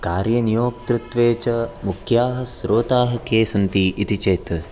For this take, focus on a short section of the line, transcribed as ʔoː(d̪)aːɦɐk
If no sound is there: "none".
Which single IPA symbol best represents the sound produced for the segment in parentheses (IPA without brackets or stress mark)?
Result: t̪